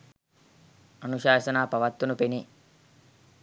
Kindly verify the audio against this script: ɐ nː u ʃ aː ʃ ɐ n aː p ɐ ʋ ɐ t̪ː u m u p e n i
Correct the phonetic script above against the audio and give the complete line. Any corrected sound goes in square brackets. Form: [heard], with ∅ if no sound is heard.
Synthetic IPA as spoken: ɐ [n] u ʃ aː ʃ ɐ n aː p ɐ ʋ ɐ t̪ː u [n] u p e n i